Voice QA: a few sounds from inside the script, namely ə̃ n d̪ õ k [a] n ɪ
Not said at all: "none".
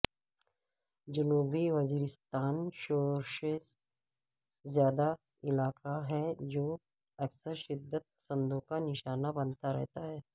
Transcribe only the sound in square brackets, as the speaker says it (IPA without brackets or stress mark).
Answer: a